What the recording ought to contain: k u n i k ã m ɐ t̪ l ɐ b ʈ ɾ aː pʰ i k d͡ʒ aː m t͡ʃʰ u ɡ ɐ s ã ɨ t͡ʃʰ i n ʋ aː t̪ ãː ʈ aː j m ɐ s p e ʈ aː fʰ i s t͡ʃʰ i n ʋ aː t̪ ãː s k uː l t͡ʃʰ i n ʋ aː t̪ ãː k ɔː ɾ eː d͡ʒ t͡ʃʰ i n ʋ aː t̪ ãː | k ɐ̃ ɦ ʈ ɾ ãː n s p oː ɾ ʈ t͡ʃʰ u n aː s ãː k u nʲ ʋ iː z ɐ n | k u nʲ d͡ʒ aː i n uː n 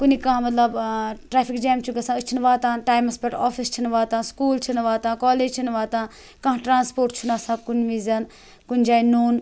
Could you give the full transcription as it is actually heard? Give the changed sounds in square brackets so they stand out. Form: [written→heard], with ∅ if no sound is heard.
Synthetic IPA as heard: k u n i k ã m ɐ t̪ l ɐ b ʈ ɾ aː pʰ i k d͡ʒ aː m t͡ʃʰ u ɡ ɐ s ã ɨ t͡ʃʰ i n ʋ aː t̪ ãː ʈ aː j m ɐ s p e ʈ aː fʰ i s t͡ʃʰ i n ʋ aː t̪ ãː s k uː l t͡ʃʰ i n ʋ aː t̪ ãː k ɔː [ɾ→l] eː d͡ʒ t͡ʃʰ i n ʋ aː t̪ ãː | k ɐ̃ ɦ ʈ ɾ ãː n s p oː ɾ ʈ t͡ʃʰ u n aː s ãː k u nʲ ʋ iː z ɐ n | k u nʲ d͡ʒ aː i n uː n